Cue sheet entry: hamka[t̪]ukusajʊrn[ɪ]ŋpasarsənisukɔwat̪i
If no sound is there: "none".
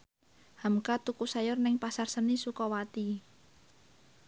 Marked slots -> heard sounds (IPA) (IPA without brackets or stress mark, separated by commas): t̪, ɪ